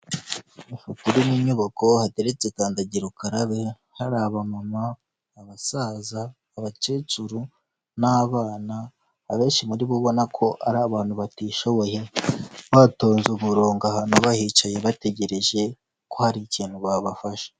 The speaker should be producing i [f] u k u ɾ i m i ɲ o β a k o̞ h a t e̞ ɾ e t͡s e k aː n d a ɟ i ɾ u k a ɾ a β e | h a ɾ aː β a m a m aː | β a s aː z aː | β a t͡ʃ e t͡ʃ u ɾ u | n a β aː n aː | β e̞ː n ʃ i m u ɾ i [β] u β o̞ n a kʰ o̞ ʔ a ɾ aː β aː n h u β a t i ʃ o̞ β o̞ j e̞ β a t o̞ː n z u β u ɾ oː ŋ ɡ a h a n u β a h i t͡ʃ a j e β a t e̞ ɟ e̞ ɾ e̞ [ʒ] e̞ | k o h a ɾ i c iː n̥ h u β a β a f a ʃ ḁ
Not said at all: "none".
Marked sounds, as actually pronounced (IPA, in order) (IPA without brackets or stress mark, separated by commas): f, β, ʒ